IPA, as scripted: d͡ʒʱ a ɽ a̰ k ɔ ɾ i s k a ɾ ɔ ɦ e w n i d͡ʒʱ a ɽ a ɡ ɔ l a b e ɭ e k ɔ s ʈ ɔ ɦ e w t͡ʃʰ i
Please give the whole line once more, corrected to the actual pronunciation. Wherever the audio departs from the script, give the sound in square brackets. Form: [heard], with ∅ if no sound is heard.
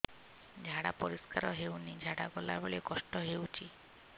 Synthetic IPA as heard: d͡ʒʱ a ɽ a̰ [p] ɔ ɾ i s k a ɾ ɔ ɦ e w n i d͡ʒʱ a ɽ a ɡ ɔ l a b e ɭ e k ɔ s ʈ ɔ ɦ e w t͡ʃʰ i